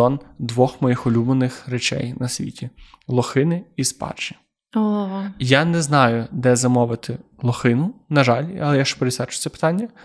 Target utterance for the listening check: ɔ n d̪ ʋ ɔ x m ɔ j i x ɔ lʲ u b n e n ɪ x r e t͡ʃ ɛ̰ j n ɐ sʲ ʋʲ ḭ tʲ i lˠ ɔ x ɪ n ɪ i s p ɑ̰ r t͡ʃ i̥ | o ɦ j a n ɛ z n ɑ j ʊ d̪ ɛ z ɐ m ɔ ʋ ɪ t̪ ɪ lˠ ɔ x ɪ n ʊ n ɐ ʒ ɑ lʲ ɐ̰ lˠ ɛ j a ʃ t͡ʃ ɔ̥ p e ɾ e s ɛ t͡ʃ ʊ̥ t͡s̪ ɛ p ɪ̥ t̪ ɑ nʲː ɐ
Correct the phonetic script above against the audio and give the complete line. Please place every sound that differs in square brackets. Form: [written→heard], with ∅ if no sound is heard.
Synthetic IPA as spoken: ɔ n d̪ ʋ ɔ x m ɔ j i x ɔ lʲ u b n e n ɪ x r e t͡ʃ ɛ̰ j n ɐ sʲ ʋʲ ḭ tʲ i lˠ ɔ x ɪ n ɪ i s p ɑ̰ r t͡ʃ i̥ | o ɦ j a n ɛ z n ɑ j ʊ d̪ ɛ z ɐ m ɔ ʋ ɪ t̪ ɪ lˠ ɔ x ɪ n ʊ n ɐ ʒ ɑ lʲ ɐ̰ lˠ ɛ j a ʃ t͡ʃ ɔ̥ p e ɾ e s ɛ t͡ʃ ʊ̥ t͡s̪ ɛ p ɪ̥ t̪ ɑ nʲː ɐ